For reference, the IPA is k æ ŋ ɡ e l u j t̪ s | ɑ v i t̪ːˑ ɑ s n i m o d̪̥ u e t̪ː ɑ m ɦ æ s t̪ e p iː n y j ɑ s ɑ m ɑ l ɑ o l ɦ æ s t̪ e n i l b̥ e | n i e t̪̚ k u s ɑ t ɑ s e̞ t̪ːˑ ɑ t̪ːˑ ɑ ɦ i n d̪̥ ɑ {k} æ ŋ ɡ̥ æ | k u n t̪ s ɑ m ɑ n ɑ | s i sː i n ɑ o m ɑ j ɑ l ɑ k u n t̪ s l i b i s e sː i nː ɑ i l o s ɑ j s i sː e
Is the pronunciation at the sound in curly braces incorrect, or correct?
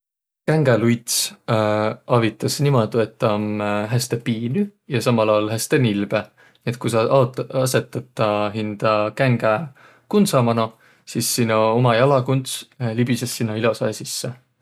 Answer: correct